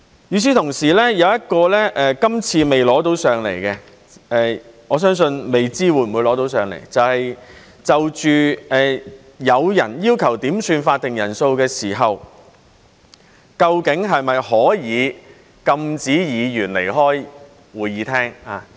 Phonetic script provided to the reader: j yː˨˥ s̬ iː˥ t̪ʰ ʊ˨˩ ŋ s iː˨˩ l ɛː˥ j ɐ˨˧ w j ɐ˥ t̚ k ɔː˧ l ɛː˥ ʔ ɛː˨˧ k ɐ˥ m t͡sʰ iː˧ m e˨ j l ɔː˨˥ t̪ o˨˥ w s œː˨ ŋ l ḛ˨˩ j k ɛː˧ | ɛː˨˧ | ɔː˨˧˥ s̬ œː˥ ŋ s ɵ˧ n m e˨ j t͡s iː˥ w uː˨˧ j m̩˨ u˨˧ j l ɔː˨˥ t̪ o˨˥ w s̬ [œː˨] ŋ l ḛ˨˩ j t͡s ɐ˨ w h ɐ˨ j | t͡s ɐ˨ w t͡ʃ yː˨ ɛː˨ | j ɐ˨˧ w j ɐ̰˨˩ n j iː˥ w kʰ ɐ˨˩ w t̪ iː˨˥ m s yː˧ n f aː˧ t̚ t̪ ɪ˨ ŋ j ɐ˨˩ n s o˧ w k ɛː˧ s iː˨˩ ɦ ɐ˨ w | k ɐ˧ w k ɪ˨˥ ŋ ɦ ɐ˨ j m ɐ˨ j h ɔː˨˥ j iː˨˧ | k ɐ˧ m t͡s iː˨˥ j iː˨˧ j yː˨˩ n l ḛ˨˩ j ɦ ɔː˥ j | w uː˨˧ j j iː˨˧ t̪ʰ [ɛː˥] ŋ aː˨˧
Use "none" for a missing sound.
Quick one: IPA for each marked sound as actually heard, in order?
œː˨, ɛː˥

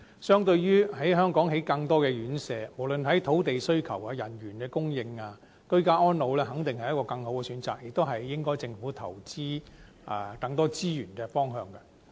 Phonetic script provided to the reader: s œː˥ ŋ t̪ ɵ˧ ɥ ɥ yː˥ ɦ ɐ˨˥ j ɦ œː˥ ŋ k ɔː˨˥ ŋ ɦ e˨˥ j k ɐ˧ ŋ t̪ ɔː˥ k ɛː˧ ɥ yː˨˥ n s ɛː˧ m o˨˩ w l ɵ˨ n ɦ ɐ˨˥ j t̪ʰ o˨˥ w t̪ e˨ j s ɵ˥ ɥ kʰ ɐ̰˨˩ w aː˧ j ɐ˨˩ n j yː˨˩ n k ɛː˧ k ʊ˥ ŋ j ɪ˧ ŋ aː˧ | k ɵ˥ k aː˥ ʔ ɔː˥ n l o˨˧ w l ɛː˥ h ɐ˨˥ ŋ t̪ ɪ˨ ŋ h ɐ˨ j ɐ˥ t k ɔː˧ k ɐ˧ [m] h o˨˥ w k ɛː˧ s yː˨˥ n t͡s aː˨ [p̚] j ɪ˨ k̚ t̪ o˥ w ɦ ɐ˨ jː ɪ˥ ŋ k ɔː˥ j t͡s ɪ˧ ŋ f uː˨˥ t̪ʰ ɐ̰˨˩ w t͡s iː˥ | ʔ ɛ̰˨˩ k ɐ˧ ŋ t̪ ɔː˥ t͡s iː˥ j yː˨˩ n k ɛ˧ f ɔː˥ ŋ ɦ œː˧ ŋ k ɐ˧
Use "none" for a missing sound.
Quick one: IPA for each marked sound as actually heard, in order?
ŋ, k̚

